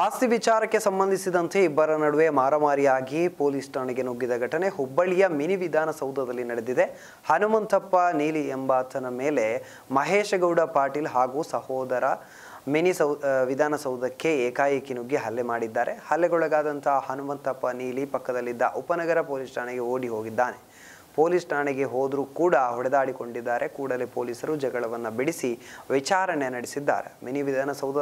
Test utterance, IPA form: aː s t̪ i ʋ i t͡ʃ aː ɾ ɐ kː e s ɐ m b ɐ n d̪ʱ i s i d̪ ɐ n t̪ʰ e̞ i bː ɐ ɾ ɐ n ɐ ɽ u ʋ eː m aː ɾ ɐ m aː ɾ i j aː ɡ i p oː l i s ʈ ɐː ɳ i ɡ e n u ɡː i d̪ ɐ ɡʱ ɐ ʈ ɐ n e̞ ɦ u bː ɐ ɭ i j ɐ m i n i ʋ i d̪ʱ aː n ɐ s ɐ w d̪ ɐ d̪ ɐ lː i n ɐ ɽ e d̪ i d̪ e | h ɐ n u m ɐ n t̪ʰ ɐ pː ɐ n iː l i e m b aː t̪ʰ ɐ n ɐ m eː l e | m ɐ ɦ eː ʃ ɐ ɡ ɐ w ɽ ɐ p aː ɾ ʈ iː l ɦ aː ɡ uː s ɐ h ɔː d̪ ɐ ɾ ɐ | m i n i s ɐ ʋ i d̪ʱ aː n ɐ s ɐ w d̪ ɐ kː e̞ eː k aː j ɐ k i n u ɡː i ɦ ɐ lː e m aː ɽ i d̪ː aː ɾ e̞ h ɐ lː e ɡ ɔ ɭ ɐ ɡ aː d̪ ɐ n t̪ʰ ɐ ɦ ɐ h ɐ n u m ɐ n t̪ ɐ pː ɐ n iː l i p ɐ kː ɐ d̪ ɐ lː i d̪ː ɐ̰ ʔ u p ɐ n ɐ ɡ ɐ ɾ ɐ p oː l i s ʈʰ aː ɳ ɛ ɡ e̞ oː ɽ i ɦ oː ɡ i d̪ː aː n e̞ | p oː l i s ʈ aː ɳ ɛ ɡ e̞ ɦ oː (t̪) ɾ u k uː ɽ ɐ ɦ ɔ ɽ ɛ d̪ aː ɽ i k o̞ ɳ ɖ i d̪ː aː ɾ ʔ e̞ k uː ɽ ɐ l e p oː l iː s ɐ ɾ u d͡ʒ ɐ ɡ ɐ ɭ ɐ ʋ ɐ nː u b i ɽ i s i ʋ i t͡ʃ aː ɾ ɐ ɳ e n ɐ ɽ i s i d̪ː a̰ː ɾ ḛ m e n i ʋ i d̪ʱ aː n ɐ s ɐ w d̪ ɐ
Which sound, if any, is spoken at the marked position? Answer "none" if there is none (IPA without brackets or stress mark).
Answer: d̪